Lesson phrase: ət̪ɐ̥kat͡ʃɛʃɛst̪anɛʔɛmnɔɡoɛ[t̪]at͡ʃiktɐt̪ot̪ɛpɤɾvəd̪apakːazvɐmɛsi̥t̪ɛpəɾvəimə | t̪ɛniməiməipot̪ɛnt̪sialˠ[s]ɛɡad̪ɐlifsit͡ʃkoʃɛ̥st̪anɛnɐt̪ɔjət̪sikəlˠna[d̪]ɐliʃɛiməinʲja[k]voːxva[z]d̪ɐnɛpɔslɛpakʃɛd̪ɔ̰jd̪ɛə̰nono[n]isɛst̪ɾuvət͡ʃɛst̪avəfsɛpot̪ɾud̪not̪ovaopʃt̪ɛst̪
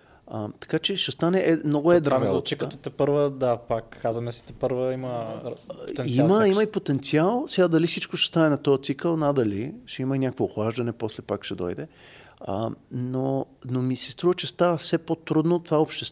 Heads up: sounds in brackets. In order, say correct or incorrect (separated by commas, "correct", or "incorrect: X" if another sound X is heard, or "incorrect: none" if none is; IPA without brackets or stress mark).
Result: incorrect: d̪, correct, correct, correct, incorrect: ʒ, incorrect: m